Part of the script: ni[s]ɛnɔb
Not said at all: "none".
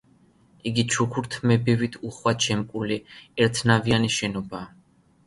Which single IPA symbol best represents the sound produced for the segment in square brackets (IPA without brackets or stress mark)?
ʃ